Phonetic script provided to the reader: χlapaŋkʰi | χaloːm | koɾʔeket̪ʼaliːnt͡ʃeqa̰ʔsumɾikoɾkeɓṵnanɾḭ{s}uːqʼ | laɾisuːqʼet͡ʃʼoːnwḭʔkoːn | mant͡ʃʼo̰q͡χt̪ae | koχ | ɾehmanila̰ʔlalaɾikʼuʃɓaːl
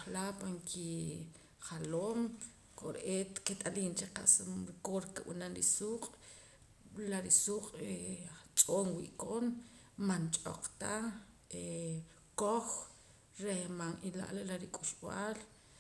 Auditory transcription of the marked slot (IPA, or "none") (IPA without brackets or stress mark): s